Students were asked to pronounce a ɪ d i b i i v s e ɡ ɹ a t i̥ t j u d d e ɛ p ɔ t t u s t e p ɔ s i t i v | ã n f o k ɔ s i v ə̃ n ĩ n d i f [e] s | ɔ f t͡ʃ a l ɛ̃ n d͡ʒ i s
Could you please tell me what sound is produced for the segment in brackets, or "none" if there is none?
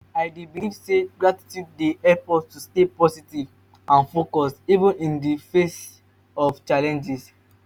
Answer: e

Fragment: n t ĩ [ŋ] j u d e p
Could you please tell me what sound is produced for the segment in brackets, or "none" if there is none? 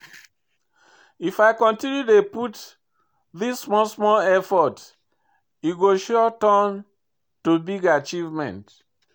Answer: n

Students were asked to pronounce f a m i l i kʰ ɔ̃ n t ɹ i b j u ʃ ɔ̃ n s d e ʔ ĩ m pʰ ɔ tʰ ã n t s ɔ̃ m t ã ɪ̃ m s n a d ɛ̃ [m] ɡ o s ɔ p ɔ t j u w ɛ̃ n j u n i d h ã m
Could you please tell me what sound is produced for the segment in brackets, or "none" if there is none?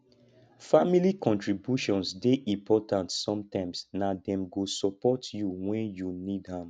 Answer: m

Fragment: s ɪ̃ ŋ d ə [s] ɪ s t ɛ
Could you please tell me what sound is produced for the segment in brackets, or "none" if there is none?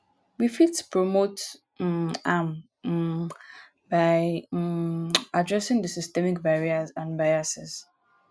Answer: s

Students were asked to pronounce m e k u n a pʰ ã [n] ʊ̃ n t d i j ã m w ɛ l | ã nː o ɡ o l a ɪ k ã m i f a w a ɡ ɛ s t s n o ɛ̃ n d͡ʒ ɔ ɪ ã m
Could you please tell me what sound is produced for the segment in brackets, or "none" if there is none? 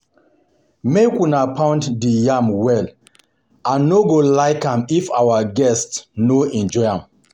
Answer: none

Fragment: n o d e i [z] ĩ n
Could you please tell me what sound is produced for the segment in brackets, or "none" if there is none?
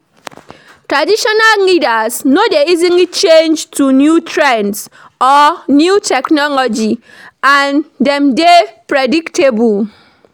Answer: z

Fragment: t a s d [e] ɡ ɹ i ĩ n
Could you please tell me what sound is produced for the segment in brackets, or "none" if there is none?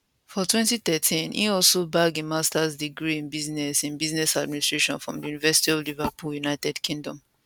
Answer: i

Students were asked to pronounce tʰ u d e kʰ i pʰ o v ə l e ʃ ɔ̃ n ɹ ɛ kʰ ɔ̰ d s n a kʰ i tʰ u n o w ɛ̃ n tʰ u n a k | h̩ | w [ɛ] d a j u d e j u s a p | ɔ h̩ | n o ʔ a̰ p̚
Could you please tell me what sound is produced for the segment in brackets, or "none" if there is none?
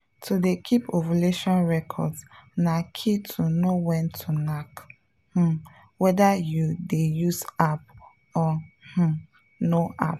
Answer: ɛ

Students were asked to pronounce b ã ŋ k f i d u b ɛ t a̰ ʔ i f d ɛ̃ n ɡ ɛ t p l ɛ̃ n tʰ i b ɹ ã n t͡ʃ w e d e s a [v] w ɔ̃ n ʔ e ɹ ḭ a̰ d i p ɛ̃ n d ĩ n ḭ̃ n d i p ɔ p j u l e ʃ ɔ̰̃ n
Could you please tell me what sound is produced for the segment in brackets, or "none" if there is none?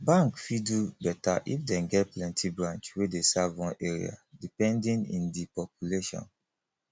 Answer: v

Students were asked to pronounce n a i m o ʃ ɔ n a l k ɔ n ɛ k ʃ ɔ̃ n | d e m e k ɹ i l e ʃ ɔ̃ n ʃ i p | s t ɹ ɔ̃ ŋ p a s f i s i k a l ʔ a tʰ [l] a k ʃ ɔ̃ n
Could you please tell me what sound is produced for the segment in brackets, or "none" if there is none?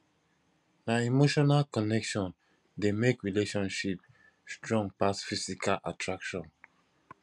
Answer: ɹ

